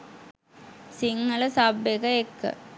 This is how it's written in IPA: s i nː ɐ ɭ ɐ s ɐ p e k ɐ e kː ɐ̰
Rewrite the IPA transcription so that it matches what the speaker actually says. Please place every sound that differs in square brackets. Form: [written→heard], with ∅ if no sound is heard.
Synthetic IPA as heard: s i [nː→ŋː] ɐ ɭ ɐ s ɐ [p→b] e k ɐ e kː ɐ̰